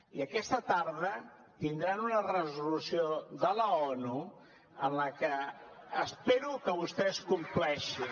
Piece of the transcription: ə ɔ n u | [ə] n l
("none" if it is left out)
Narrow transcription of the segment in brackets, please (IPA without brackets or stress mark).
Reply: ə